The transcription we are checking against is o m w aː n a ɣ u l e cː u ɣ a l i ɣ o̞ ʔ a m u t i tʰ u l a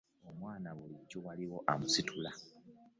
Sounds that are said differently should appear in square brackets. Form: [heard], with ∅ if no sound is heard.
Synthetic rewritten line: o m w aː n a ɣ u l [i] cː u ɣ a l i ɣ o̞ ʔ a m u [s] i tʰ u l a

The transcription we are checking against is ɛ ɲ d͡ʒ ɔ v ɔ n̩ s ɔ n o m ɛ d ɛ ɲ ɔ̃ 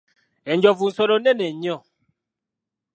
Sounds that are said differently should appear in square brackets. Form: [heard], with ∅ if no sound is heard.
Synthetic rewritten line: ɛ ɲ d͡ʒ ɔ v [u] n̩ s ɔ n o [n] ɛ [n] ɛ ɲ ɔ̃

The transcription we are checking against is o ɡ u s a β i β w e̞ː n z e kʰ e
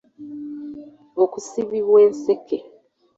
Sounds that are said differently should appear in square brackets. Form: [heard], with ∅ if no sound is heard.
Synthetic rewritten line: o [k] u s [i] β i β w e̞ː n [s] e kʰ e

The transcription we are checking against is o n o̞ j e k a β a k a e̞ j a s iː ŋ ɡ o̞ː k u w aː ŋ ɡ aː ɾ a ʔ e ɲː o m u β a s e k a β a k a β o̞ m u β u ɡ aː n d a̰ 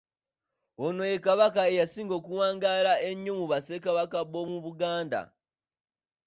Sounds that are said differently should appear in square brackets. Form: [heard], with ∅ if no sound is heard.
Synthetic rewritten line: o n o̞ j e k a β a k a e̞ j a s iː ŋ ɡ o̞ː k u w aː ŋ ɡ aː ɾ a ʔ e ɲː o m u β a s e k a β a k a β o̞ m u β u ɡ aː n d a̰

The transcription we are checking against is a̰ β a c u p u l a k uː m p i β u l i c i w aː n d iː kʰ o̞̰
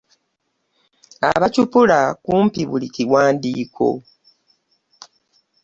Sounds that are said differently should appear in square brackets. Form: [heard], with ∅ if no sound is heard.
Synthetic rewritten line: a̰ β a c u p u l a k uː m p i β u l i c i w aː n d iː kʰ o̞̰

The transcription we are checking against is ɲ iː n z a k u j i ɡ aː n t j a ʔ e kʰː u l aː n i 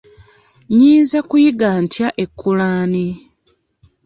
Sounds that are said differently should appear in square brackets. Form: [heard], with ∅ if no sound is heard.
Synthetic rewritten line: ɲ iː n z a k u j i ɡ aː n t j a ʔ e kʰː u l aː n i

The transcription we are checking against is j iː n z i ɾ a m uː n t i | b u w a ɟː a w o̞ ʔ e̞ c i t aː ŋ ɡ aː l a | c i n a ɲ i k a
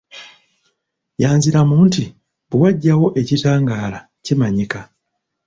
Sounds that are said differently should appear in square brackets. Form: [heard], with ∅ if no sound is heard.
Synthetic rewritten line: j [aː] n z i ɾ a m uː n t i | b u w a ɟː a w o̞ ʔ e̞ c i t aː ŋ ɡ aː l a | c i [m] a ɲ i k a

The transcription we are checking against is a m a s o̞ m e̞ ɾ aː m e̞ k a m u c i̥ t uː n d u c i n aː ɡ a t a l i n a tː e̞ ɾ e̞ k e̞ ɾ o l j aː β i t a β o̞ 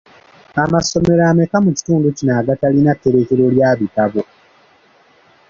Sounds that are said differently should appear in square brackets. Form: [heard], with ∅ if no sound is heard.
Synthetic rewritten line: a m a s o̞ m e̞ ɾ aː m e̞ k a m u c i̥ t uː n d u c i n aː ɡ a t a l i n a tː e̞ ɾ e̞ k e̞ ɾ o l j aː β i t a β o̞

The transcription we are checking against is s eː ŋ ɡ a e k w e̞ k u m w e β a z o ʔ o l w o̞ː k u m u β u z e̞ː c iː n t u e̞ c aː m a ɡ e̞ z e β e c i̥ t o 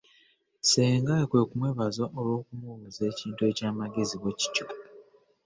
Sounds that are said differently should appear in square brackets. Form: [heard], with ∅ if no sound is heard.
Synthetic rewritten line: s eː ŋ ɡ a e k w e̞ k u m w e β a z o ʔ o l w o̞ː k u m u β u z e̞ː c iː n t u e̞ c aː m a ɡ e̞ z [i] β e c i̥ [c] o

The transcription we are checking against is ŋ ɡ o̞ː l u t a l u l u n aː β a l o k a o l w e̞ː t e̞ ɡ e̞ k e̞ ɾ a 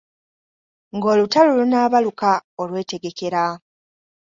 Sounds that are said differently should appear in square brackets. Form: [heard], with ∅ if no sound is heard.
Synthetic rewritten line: ŋ ɡ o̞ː l u t a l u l u n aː β a l [u] k a o l w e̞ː t e̞ ɡ e̞ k e̞ ɾ a

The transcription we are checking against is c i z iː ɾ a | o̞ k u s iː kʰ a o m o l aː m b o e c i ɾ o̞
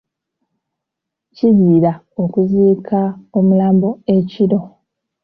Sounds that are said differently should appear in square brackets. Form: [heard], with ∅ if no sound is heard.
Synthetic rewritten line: c i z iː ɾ a | o̞ k u [z] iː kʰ a o m [u] l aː m b o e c i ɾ o̞

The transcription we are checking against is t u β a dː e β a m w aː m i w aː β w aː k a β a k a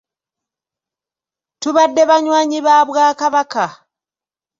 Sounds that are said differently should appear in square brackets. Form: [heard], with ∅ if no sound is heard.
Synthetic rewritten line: t u β a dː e β a [ɲ] w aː [ɲ] i [β] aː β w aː k a β a k a

